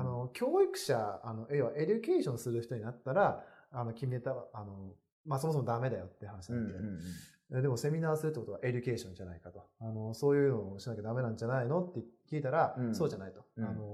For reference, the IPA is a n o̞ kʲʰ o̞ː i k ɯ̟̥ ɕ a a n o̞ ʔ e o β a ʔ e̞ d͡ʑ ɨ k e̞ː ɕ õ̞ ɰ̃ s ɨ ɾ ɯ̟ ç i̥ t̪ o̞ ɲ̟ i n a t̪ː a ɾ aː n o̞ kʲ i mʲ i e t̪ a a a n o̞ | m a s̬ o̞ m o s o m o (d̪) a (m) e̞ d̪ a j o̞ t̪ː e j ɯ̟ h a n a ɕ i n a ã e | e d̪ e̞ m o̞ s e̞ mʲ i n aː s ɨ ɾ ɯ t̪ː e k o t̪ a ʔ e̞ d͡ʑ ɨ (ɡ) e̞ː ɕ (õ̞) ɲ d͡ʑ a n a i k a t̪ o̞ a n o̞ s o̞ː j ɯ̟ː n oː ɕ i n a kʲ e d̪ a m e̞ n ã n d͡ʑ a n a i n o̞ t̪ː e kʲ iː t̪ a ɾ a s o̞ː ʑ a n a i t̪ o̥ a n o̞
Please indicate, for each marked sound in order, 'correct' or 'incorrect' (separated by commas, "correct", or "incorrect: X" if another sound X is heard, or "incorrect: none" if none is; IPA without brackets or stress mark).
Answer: correct, correct, incorrect: k, correct